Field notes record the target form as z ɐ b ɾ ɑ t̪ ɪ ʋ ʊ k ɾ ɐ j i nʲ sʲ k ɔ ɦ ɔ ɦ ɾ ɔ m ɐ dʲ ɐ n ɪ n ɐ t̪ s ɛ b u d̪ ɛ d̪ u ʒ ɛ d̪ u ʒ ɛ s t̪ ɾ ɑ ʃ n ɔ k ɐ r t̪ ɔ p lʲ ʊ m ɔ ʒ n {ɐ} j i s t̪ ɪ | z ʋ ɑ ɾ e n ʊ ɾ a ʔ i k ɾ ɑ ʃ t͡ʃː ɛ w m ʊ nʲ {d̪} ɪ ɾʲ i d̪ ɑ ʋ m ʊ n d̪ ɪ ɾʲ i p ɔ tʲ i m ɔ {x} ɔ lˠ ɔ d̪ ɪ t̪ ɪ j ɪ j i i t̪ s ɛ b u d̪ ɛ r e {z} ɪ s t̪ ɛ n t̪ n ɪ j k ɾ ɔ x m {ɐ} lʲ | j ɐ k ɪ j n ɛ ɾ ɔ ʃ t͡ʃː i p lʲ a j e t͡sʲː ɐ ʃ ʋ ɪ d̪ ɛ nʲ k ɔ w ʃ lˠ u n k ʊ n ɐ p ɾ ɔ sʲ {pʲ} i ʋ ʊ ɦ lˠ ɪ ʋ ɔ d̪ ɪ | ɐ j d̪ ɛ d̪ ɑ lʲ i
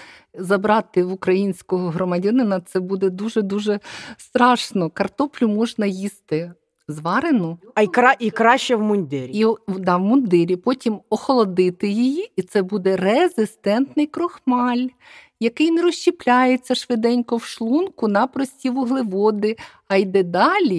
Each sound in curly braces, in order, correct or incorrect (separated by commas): correct, correct, correct, correct, incorrect, incorrect